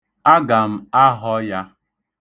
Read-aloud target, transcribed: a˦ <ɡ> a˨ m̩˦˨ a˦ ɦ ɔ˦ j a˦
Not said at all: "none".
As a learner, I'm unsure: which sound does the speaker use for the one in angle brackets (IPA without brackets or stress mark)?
ɡ